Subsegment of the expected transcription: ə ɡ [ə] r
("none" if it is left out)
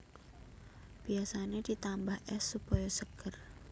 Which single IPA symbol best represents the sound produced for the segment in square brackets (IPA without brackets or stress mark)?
ə